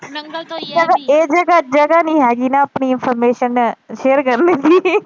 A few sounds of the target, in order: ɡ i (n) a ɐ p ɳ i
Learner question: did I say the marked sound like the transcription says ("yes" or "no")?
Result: yes